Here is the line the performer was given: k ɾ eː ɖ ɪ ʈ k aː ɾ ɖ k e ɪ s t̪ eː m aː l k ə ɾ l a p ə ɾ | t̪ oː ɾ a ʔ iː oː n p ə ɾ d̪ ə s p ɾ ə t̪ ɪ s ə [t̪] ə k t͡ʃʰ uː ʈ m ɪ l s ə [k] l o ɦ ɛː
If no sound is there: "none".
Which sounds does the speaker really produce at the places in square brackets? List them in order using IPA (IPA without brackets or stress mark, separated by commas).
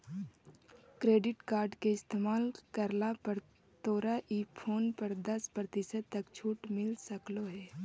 t̪, k